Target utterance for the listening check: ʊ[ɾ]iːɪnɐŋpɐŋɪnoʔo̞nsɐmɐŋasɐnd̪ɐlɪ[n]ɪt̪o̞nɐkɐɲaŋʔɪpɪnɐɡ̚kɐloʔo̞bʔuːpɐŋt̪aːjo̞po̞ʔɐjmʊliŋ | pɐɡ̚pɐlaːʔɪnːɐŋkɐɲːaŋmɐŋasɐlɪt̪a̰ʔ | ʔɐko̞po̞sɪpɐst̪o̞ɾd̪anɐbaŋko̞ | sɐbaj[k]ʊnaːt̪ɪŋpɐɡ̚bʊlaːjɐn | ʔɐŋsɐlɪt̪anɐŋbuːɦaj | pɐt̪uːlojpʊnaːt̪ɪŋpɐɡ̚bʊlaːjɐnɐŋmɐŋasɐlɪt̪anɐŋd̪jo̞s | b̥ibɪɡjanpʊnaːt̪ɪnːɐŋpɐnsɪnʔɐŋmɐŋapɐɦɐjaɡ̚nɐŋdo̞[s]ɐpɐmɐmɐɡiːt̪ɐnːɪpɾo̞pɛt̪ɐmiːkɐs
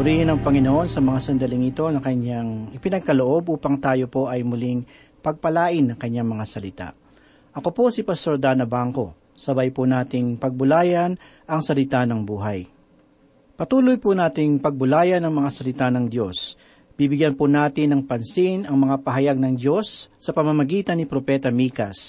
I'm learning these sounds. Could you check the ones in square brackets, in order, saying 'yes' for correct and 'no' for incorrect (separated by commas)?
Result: yes, no, no, no